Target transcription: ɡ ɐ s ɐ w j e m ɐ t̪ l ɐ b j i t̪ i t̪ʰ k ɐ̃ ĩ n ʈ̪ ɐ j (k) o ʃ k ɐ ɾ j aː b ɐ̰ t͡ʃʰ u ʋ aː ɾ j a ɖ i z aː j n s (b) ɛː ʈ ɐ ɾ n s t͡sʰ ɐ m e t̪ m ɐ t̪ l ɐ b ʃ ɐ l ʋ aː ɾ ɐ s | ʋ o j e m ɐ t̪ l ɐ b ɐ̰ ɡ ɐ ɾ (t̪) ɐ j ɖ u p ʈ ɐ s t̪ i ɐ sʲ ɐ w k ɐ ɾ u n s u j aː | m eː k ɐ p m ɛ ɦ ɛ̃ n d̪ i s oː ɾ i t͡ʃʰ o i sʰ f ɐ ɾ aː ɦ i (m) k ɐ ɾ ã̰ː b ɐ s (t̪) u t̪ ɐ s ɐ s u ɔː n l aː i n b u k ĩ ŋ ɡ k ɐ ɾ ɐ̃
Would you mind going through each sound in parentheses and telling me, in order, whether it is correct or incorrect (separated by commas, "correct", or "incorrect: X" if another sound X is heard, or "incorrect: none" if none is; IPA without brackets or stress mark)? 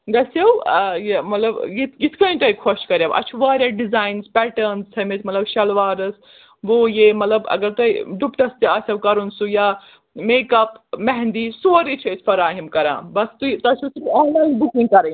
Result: incorrect: kʰ, incorrect: p, correct, correct, correct